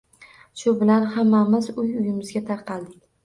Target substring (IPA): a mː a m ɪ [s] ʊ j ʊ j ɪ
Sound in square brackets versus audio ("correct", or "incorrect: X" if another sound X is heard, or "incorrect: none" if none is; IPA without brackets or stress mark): incorrect: z